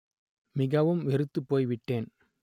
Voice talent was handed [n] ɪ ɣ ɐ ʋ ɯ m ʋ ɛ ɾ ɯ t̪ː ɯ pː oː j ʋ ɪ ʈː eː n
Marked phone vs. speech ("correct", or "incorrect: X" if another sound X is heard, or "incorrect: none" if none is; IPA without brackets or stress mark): incorrect: m